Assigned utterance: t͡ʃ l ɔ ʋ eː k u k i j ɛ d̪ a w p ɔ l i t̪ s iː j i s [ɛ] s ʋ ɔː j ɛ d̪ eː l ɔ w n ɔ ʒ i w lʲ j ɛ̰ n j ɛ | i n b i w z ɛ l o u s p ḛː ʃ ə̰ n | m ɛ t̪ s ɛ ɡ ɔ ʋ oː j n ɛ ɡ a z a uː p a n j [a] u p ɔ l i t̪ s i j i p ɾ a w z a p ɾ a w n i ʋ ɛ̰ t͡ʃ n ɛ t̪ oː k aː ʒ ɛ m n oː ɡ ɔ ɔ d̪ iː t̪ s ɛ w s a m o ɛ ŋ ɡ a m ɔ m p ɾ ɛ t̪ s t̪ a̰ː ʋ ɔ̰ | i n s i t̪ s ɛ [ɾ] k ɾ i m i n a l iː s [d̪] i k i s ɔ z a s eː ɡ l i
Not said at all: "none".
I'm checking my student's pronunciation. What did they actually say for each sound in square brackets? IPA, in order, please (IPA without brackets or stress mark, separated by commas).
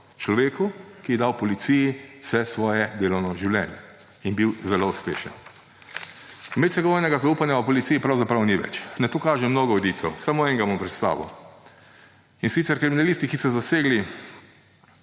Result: ɛ, a, ɾ, t̪